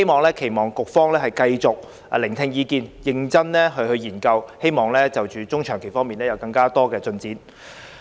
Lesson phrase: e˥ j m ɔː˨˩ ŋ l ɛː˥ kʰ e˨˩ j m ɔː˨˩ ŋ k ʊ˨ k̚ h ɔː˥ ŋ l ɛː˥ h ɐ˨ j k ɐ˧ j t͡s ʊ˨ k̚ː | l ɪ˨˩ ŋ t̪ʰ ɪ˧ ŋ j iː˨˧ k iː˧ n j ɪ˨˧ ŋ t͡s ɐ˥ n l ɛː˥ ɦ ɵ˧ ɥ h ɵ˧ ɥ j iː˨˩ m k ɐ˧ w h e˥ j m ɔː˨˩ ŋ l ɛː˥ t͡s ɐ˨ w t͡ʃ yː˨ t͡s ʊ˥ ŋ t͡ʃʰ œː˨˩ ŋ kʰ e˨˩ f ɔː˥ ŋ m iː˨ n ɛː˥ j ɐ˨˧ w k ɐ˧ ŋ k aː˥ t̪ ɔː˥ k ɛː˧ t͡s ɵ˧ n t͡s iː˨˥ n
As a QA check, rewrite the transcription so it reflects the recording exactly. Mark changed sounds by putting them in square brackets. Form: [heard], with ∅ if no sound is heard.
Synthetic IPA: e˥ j m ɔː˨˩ ŋ l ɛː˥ kʰ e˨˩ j m ɔː˨˩ ŋ k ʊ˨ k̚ [f] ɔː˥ ŋ l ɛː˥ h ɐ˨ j k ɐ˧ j t͡s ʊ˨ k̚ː | l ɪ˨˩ ŋ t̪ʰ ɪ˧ ŋ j iː˨˧ k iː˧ n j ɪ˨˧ ŋ t͡s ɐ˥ n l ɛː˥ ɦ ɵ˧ ɥ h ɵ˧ ɥ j iː˨˩ [n] k ɐ˧ w h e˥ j m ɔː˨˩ ŋ l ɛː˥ t͡s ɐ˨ w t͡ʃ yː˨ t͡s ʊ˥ ŋ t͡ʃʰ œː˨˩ ŋ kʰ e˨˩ f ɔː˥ ŋ m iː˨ n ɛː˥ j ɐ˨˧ w k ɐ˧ ŋ k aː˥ t̪ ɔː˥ k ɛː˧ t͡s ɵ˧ n t͡s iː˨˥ n

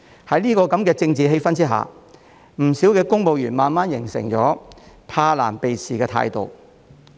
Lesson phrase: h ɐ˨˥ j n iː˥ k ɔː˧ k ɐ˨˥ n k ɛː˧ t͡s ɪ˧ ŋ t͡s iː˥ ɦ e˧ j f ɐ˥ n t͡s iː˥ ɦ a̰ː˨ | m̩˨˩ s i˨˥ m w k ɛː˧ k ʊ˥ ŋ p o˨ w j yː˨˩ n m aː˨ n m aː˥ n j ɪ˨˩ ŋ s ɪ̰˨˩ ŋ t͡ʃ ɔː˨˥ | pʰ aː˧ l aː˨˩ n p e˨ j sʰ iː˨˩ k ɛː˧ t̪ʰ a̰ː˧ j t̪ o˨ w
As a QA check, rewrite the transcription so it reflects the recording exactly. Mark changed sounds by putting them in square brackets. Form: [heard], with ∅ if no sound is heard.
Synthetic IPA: h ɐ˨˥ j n iː˥ k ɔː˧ k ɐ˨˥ [m] k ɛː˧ t͡s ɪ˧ ŋ t͡s [iː˨] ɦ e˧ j f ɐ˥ n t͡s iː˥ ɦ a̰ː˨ | m̩˨˩ s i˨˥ [∅] w k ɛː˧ k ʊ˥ ŋ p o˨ w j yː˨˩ n m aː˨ n m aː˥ n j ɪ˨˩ ŋ s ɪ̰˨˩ ŋ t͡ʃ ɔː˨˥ | pʰ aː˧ l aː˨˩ n p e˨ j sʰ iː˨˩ k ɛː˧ t̪ʰ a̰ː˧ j t̪ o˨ w

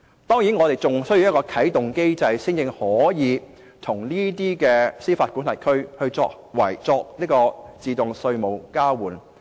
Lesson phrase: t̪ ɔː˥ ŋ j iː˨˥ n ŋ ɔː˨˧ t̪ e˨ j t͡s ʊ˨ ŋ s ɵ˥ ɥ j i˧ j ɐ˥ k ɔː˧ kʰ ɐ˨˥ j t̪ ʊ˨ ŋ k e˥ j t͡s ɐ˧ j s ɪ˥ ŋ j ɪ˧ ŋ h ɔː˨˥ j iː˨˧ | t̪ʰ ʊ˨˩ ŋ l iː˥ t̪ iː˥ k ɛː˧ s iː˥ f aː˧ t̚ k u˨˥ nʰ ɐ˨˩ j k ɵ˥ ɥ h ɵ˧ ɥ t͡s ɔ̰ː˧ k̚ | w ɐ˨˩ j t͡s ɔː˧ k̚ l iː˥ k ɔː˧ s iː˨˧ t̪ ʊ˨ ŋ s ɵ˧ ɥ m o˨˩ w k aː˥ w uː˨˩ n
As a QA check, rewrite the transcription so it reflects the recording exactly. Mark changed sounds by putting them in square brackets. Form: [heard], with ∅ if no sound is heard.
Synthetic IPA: t̪ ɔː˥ ŋ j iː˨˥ n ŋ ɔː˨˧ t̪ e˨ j t͡s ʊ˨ ŋ s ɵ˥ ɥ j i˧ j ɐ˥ k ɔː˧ kʰ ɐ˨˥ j t̪ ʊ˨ ŋ k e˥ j t͡s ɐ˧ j s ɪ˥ ŋ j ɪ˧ ŋ h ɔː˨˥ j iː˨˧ | t̪ʰ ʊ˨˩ ŋ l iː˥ t̪ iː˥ k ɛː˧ s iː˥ f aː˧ t̚ k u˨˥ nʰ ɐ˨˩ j [kʰ] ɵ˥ ɥ h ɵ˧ ɥ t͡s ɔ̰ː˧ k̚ | w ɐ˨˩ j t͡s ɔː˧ k̚ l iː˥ k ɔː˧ [t͡s] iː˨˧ t̪ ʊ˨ ŋ s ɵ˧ ɥ m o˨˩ w k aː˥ w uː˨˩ n

